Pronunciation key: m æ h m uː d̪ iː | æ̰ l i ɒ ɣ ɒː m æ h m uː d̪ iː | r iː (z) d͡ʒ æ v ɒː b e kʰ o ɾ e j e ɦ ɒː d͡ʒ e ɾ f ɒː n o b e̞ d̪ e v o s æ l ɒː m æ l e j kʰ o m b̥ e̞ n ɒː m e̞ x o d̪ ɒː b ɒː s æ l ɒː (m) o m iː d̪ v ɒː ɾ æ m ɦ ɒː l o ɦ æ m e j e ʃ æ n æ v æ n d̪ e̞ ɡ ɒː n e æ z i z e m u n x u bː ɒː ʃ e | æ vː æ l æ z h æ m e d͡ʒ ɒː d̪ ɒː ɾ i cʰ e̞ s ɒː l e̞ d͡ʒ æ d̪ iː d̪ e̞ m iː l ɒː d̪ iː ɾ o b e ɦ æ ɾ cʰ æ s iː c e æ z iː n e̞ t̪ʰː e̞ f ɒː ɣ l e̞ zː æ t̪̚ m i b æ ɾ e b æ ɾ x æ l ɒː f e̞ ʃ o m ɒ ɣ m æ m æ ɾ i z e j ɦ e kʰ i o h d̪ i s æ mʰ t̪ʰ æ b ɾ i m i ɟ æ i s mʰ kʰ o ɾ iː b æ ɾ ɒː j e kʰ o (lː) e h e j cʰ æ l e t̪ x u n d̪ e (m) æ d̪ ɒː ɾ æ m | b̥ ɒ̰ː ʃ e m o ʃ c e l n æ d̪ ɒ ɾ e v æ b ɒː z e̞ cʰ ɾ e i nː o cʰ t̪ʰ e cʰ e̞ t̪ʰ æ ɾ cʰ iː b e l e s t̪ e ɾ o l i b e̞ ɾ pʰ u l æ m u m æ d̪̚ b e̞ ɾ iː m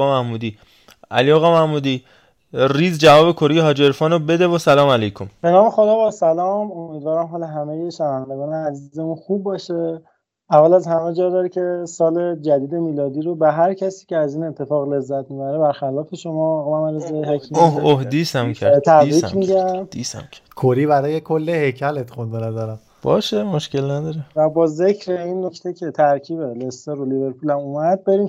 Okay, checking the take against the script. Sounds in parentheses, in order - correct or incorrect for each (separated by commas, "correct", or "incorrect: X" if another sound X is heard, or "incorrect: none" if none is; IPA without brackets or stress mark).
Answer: correct, correct, correct, incorrect: n